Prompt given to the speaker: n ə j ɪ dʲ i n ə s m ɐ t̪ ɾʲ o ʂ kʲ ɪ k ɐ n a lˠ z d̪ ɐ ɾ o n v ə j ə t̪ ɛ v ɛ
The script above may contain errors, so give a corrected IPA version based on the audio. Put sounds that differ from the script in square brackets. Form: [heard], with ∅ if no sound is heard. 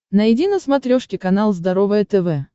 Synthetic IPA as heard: n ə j ɪ dʲ i n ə s m ɐ t̪ ɾʲ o ʂ kʲ ɪ k ɐ n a lˠ z d̪ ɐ ɾ o [∅] v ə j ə t̪ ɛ v ɛ

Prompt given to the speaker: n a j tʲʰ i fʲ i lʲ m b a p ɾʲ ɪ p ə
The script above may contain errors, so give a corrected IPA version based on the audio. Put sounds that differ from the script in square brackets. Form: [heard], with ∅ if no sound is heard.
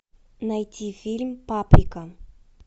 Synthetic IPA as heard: n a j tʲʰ i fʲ i lʲ m [p] a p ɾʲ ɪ [k] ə

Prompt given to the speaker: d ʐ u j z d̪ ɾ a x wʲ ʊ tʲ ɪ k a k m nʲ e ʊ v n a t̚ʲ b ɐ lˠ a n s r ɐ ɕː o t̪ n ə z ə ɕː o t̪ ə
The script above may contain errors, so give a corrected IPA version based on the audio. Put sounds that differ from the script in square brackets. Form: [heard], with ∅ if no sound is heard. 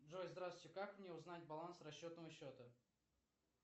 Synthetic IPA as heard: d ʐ [o] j z d̪ ɾ a [s] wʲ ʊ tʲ ɪ k a k m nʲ e ʊ [z] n a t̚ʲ b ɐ lˠ a n s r ɐ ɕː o t̪ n ə [v] ə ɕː o t̪ ə

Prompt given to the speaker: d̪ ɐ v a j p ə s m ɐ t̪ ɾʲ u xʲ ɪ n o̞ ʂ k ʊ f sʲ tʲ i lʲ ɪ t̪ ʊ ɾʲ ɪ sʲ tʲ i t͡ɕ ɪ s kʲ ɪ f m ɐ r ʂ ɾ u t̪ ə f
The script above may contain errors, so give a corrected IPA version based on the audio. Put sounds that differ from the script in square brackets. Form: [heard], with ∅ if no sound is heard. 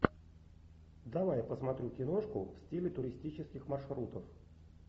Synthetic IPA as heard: d̪ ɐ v a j p ə s m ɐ t̪ ɾʲ u [kʲ] ɪ n o̞ ʂ k ʊ f sʲ tʲ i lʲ ɪ t̪ ʊ ɾʲ ɪ sʲ tʲ i t͡ɕ ɪ s kʲ ɪ [x] m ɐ r ʂ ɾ u t̪ ə f

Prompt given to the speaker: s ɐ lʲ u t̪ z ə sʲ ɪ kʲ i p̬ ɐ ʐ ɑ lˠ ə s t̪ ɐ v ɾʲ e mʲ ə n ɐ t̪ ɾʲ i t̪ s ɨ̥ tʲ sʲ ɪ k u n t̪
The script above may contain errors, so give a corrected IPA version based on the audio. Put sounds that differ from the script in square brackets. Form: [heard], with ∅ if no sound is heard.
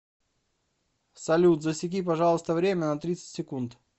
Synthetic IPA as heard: s ɐ lʲ u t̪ z ə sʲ ɪ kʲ i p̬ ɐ ʐ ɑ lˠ ə s t̪ [ə] v ɾʲ e mʲ ə n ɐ t̪ ɾʲ i t̪ s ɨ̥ tʲ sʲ ɪ k u n t̪

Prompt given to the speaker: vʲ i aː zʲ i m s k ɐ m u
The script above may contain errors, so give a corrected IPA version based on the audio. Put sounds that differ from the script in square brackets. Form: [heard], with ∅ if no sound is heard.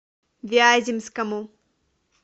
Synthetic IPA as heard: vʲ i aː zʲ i m s k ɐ m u

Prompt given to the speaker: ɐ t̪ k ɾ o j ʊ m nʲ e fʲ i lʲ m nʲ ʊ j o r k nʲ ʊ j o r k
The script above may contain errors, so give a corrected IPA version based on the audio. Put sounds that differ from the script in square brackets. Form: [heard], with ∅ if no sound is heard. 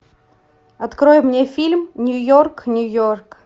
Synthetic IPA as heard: ɐ t̪ k ɾ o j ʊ m nʲ e fʲ i lʲ m nʲ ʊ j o r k nʲ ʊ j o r k

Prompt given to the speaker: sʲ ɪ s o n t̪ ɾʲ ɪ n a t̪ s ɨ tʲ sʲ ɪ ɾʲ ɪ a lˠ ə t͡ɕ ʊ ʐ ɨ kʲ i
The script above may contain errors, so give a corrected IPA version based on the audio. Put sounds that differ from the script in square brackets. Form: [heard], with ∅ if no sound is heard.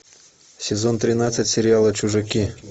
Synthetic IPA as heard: sʲ ɪ [z] o n t̪ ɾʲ ɪ n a t̪ s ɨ tʲ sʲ ɪ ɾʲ ɪ a lˠ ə t͡ɕ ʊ ʐ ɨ kʲ i

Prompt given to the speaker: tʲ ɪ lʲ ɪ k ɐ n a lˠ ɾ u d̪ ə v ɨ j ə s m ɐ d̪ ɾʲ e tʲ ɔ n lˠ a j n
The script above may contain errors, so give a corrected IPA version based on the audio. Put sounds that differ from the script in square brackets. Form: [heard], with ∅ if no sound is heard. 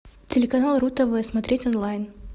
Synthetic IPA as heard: tʲ ɪ lʲ ɪ k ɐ n a lˠ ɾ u [t̪] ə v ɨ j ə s m ɐ [t̪] ɾʲ e tʲ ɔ n lˠ a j n

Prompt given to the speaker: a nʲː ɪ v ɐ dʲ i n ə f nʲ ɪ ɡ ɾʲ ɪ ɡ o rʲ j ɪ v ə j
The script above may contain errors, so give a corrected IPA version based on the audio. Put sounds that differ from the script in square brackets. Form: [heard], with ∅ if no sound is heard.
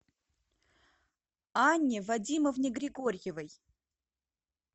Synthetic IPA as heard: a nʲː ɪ v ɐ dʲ i [m] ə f nʲ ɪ ɡ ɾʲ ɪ ɡ o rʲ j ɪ v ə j

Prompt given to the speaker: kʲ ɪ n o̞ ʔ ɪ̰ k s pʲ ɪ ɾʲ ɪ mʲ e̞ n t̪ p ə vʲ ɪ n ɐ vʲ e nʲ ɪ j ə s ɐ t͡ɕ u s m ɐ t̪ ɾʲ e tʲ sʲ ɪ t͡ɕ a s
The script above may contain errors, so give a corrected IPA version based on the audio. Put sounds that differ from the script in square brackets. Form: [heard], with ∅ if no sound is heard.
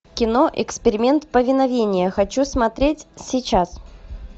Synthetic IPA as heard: kʲ ɪ n o̞ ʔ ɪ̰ k s pʲ ɪ ɾʲ ɪ mʲ e̞ n t̪ p ə vʲ ɪ n ɐ vʲ e nʲ ɪ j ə [x] ɐ t͡ɕ u s m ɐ t̪ ɾʲ e tʲ sʲ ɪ t͡ɕ a s

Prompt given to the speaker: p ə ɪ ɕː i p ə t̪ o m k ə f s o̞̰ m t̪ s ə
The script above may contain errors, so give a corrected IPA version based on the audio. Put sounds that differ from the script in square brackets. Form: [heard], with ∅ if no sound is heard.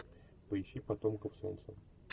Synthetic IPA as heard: p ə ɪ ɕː i p [ɐ] t̪ o m k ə f s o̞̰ [n] t̪ s ə

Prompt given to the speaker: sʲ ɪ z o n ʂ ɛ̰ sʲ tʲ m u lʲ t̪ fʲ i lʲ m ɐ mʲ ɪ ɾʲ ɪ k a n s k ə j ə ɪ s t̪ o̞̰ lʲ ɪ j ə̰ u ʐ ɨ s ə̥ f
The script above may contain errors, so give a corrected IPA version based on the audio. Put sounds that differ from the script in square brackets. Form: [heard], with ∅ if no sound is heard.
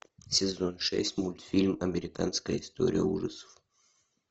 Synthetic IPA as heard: sʲ ɪ z o n ʂ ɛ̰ sʲ tʲ m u lʲ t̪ fʲ i lʲ m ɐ mʲ ɪ ɾʲ ɪ k a n s k ə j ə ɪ s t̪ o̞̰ [ɾʲ] ɪ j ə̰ u ʐ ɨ s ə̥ f

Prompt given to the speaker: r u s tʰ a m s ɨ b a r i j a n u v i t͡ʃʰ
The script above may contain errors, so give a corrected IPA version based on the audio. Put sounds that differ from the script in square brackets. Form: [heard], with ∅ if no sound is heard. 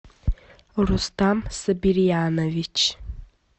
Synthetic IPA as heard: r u s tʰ a m s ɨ b [i] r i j a n [o] v i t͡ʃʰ

